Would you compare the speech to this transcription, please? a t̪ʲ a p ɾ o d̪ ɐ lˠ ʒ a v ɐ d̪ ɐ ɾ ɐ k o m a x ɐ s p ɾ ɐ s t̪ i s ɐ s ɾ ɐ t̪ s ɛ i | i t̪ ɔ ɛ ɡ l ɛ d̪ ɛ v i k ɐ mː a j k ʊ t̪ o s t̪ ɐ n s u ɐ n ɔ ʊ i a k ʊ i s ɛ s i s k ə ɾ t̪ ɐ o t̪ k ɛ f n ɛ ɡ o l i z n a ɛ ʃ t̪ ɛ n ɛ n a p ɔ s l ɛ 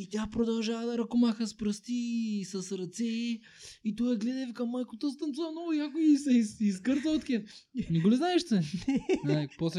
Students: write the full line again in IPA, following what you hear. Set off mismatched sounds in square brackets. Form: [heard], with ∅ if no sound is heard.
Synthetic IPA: [i] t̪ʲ a p ɾ o d̪ ɐ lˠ ʒ a v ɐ d̪ ɐ ɾ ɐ k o m a x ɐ s p ɾ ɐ s t̪ i s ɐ s ɾ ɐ t̪ s ɛ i | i t̪ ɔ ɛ ɡ l ɛ d̪ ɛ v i k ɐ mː a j k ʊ t̪ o s t̪ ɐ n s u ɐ n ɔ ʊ [j] a k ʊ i s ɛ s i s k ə ɾ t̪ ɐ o t̪ k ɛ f n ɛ ɡ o l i z n a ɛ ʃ t̪ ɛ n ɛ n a p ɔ s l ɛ